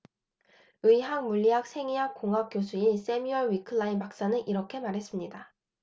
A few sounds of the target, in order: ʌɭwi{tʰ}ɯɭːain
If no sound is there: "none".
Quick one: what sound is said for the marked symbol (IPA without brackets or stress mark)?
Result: kʰ